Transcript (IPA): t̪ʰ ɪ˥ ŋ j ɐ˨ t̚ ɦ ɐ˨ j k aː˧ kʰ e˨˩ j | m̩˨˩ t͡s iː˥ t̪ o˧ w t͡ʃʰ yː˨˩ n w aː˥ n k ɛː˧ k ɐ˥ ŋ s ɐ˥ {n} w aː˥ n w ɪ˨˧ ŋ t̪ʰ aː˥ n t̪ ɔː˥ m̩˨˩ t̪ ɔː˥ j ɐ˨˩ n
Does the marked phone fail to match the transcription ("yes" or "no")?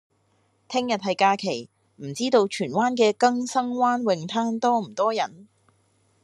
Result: yes